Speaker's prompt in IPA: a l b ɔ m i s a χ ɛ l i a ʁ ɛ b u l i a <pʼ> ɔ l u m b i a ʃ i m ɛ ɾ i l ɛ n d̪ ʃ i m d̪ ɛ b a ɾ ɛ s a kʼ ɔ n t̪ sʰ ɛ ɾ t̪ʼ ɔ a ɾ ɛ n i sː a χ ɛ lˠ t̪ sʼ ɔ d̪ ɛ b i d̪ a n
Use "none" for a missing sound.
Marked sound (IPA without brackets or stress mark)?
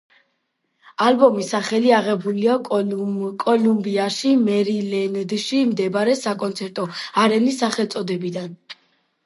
kʼ